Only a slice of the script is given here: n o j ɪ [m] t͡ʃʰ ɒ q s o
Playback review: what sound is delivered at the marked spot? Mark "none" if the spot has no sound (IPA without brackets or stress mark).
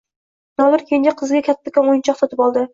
n